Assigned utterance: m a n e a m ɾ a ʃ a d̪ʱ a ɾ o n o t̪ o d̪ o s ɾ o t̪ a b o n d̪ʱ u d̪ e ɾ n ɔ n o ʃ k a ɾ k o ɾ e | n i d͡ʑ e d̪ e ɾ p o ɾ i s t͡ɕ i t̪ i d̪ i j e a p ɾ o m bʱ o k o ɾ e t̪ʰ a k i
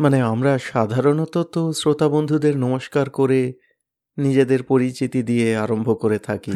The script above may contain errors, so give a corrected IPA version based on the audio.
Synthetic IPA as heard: m a n e a m ɾ a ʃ a d̪ʱ a ɾ o n o t̪ o t̪ o s ɾ o t̪ a b o n d̪ʱ u d̪ e ɾ n ɔ m o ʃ k a ɾ k o ɾ e | n i d͡ʑ e d̪ e ɾ p o ɾ i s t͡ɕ i t̪ i d̪ i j e a ɾ o m bʱ o k o ɾ e t̪ʰ a k i